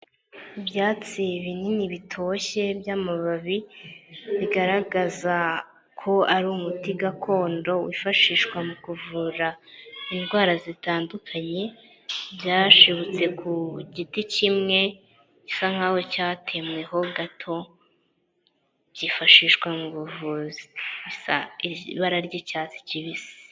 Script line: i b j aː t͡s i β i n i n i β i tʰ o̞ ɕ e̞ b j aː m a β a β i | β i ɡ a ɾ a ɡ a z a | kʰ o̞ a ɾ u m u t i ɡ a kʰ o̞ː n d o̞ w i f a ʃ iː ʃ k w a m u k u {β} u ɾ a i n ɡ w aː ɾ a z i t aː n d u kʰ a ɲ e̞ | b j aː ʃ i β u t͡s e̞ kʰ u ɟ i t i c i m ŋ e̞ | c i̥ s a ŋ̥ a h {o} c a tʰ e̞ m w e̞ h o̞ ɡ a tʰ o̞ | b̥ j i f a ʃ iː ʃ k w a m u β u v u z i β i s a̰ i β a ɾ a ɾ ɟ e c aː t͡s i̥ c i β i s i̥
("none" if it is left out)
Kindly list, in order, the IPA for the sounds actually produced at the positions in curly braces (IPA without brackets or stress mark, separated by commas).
v, o